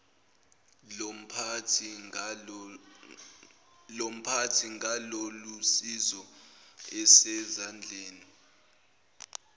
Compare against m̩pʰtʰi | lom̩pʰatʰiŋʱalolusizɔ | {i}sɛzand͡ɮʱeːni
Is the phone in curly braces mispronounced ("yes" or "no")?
yes